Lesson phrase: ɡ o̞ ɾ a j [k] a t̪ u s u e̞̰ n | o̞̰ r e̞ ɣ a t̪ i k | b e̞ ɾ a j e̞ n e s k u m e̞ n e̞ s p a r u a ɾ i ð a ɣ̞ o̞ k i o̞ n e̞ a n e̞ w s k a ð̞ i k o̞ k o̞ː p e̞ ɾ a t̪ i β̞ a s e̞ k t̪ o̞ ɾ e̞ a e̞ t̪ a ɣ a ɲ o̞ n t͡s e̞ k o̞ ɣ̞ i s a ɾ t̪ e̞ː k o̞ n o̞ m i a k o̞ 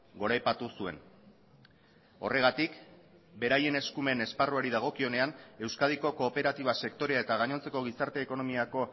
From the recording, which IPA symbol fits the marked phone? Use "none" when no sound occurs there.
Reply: p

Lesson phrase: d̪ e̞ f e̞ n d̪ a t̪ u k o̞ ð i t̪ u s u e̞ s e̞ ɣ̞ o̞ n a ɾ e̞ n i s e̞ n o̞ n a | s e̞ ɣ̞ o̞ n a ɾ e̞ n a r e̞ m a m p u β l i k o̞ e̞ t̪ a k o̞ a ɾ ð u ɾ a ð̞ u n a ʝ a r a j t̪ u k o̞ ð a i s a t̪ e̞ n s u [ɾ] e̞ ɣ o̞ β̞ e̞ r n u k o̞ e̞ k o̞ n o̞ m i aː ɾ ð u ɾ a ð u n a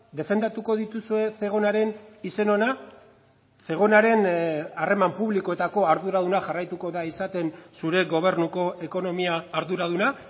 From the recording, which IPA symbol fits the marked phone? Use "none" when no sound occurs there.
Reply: ɾ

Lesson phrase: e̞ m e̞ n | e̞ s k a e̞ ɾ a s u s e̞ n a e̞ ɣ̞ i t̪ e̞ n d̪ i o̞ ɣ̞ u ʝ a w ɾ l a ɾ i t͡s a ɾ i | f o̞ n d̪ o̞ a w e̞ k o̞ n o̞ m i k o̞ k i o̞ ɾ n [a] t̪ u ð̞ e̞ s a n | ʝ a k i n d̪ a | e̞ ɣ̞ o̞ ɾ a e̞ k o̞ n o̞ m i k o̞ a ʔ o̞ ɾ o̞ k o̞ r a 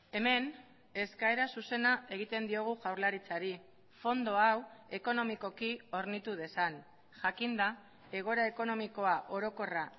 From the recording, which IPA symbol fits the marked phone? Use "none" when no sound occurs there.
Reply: i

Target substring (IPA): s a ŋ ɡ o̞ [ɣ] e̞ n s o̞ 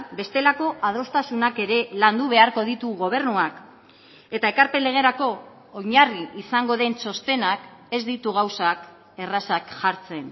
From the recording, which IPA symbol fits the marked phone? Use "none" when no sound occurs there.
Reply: ð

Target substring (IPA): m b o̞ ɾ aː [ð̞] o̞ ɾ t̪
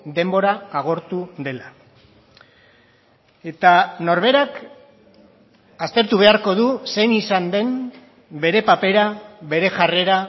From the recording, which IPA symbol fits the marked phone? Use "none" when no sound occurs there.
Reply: ɣ̞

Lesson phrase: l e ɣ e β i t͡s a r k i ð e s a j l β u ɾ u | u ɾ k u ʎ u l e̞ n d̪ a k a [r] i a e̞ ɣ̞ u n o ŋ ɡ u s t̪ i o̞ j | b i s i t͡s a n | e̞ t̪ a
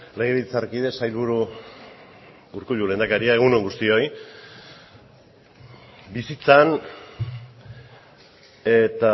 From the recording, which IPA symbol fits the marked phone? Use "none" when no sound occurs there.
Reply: ɾ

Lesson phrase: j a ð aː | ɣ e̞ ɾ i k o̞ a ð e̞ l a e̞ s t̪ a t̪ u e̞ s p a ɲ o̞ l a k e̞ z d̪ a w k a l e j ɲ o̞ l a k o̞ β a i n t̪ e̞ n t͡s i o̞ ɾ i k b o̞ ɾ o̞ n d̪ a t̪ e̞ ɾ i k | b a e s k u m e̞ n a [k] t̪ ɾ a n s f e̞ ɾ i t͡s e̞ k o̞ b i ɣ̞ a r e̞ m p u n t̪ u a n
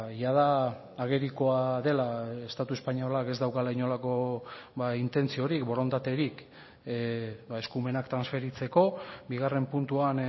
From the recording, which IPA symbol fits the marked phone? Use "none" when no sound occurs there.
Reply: k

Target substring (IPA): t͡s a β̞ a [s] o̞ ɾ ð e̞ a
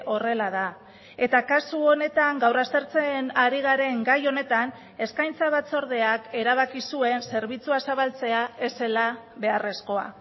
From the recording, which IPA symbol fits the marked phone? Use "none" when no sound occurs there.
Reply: t͡s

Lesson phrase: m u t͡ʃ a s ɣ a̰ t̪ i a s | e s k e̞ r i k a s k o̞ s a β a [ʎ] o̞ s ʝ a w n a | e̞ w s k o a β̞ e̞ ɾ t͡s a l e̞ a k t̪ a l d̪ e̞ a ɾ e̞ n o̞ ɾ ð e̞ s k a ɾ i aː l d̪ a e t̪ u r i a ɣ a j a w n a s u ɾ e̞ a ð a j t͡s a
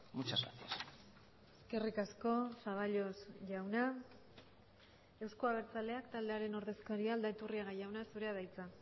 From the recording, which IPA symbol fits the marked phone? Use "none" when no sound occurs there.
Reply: ʎ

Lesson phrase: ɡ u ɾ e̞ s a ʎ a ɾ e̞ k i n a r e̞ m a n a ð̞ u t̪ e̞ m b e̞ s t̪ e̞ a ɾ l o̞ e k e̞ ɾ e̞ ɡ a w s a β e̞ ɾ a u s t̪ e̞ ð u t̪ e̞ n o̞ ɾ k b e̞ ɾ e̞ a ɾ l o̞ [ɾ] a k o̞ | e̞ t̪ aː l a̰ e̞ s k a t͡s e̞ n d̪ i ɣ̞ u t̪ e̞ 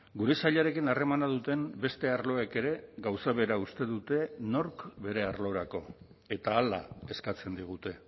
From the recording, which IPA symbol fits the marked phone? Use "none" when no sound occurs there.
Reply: ɾ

